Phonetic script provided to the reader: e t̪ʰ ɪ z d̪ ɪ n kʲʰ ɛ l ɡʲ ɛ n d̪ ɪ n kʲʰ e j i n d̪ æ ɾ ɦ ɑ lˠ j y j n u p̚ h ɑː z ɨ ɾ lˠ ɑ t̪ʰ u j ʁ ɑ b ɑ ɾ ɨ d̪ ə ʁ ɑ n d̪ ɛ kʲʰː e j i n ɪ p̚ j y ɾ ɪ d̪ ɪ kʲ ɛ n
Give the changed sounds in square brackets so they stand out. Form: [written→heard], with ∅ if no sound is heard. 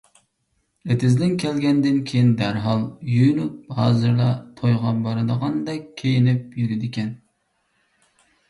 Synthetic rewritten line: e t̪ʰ ɪ z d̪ ɪ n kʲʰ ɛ l ɡʲ ɛ n d̪ ɪ n kʲʰ e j i n d̪ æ ɾ ɦ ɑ lˠ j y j n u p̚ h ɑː z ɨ ɾ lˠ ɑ t̪ʰ [u→o] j ʁ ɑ b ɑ ɾ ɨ d̪ ə ʁ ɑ n d̪ ɛ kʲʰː e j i n ɪ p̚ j y ɾ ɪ d̪ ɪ kʲ ɛ n